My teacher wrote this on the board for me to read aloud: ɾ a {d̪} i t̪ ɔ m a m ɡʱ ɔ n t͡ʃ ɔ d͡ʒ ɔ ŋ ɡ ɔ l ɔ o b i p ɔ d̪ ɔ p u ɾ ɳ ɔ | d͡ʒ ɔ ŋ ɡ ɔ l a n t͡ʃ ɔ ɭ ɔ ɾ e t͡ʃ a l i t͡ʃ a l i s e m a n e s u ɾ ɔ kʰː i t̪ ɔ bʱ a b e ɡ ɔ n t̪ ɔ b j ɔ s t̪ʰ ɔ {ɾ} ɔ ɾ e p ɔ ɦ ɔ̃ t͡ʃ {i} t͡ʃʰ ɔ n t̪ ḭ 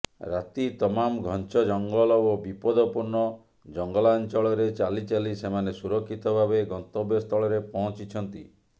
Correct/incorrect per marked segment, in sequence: incorrect: t̪, incorrect: ɭ, correct

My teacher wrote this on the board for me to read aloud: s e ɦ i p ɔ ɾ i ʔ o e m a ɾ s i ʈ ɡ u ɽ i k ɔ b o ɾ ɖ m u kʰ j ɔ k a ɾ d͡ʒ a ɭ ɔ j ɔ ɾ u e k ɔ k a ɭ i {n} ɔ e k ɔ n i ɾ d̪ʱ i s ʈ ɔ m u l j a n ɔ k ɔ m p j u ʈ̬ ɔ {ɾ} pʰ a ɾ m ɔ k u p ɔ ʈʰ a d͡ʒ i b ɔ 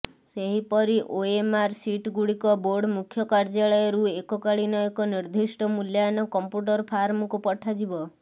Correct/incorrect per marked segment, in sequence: correct, correct

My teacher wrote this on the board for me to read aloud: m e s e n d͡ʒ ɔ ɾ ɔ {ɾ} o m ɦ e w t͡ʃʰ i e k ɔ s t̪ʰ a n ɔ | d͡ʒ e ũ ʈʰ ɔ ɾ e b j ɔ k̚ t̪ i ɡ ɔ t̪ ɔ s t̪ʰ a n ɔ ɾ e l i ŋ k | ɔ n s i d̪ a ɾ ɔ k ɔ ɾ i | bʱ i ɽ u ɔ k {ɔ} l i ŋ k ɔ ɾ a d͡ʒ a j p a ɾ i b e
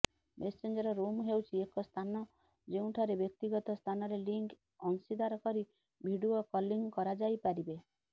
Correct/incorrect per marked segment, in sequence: correct, correct

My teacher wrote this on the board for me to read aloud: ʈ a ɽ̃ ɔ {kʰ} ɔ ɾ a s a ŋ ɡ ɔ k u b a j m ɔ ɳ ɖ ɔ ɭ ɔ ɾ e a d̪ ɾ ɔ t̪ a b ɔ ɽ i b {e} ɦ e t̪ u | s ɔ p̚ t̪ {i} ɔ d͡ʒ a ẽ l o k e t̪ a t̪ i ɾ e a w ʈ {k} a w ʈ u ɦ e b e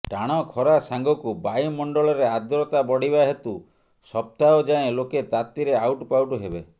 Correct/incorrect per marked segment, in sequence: correct, incorrect: a, incorrect: a, incorrect: p

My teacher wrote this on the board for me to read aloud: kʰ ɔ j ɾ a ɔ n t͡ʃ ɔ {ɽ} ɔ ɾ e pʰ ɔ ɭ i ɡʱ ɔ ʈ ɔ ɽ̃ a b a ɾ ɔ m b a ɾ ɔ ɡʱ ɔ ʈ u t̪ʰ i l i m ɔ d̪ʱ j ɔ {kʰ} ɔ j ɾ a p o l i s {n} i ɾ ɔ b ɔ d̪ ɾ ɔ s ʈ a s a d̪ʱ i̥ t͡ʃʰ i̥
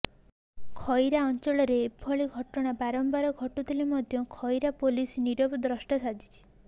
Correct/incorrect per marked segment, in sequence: incorrect: ɭ, correct, correct

